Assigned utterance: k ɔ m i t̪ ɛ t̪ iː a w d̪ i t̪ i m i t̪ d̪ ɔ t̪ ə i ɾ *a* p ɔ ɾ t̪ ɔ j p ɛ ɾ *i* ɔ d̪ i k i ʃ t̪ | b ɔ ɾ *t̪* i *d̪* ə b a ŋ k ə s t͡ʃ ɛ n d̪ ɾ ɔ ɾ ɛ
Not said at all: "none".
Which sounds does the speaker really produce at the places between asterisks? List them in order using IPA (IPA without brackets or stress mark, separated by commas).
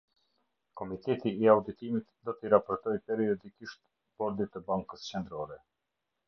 a, i, d̪, t̪